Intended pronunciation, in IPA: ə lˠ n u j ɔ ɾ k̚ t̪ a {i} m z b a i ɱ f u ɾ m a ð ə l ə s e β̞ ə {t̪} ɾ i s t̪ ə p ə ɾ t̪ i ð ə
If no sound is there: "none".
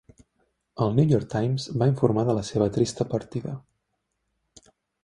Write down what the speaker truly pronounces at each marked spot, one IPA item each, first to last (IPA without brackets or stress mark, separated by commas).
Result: j, t̪